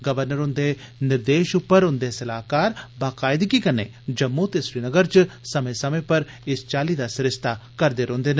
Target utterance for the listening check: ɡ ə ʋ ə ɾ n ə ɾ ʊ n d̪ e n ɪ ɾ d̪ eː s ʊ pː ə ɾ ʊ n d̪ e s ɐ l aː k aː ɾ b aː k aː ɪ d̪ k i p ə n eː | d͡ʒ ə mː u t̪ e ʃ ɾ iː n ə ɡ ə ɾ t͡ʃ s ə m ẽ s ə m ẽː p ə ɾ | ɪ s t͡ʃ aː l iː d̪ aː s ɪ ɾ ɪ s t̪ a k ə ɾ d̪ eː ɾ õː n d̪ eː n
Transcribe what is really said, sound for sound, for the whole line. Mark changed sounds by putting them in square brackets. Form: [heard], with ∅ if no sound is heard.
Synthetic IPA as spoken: ɡ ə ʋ ə ɾ n ə ɾ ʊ n d̪ e n ɪ ɾ d̪ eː [ʃ] ʊ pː ə ɾ ʊ n d̪ e s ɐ l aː k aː ɾ b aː k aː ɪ d̪ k i [k] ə n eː | d͡ʒ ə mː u t̪ e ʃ ɾ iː n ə ɡ ə ɾ t͡ʃ s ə m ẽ s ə m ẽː p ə ɾ | ɪ s t͡ʃ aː l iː d̪ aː s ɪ ɾ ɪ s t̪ a k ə ɾ d̪ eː ɾ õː n d̪ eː n

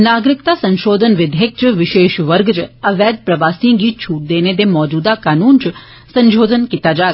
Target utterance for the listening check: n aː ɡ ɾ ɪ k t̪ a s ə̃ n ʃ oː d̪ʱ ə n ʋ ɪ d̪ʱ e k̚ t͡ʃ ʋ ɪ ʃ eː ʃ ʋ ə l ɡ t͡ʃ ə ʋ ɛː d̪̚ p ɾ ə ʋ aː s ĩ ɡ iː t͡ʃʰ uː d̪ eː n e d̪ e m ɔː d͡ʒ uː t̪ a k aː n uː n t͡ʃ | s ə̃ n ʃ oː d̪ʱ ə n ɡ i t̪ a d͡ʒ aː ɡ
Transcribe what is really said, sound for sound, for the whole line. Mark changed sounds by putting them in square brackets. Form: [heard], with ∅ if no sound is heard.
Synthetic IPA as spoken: n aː ɡ ɾ ɪ k t̪ a s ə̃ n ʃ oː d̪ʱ ə n ʋ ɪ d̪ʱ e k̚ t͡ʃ ʋ ɪ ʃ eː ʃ ʋ ə [ɾ] ɡ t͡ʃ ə ʋ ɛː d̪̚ p ɾ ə ʋ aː s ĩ ɡ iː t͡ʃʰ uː d̪ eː n e d̪ e m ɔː d͡ʒ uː [d̪] a k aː n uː n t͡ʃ | s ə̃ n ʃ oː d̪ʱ ə n [k] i t̪ a d͡ʒ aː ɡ

